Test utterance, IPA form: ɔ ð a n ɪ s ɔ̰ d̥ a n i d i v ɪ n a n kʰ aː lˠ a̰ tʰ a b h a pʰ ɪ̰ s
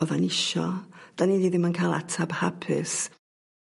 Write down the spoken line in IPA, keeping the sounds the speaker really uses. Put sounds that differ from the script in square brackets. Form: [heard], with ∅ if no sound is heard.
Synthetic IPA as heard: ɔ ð a n ɪ [ʃ] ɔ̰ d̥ a n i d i [ð] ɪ [m] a n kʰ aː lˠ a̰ tʰ a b h a pʰ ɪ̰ s